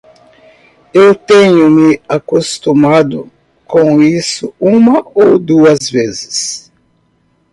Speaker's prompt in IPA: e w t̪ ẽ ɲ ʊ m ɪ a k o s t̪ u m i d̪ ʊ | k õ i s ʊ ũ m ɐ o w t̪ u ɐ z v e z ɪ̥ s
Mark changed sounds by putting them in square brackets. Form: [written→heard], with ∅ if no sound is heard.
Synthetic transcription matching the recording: e w t̪ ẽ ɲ ʊ m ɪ a k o s t̪ u m [i→a] d̪ ʊ | k õ i s ʊ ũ m ɐ o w [t̪→d̪] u ɐ z v e z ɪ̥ s